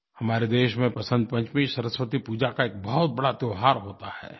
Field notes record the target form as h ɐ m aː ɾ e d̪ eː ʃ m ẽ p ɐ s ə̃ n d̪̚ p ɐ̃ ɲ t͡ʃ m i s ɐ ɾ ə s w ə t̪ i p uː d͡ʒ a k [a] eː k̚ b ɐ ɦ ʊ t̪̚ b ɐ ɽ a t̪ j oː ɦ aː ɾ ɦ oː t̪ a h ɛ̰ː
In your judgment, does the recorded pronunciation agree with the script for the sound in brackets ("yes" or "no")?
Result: yes